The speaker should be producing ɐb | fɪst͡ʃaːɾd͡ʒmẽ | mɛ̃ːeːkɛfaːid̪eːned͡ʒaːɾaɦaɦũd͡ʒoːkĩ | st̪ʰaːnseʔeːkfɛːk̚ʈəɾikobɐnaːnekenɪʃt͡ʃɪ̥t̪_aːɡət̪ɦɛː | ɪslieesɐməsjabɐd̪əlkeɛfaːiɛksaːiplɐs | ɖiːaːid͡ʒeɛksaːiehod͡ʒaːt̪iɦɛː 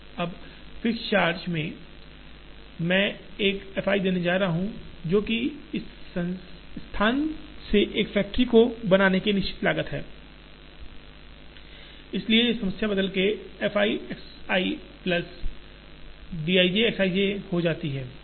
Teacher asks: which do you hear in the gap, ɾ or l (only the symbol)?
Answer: l